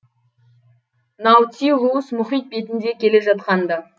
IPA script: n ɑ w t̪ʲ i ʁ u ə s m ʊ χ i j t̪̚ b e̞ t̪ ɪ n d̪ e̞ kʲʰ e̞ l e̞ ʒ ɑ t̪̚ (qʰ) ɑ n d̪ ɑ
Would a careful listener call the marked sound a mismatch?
yes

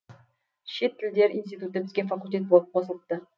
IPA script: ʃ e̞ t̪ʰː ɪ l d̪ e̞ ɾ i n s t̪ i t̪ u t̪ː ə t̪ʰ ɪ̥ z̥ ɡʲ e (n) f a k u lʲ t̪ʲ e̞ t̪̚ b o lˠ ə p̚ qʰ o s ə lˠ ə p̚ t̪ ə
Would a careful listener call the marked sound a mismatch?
no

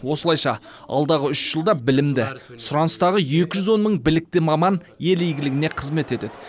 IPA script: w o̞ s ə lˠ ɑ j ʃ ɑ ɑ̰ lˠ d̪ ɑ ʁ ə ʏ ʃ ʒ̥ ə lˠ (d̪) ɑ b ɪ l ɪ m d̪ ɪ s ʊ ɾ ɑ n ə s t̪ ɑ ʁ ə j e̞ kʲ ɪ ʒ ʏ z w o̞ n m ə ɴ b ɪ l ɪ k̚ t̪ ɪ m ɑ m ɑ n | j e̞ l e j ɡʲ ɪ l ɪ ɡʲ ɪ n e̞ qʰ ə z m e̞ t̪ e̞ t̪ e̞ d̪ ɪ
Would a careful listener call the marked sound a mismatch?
no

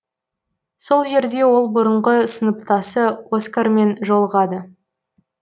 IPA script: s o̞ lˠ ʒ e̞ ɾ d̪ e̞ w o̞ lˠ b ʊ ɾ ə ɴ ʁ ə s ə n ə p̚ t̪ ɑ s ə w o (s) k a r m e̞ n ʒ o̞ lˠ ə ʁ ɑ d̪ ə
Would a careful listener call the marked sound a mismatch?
no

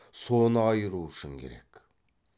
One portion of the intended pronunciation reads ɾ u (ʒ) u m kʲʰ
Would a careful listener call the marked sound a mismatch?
yes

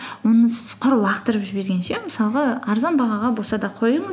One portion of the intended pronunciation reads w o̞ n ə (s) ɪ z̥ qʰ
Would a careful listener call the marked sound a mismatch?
no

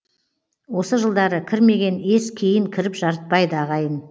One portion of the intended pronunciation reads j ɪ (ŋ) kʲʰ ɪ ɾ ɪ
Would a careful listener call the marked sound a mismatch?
no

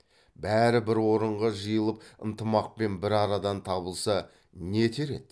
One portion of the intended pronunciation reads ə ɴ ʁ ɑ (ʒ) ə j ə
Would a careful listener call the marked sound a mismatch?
no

